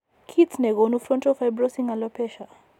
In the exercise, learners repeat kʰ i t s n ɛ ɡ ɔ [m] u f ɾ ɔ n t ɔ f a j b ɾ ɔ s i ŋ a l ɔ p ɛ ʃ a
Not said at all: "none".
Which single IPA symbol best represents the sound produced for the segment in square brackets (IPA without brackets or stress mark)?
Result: n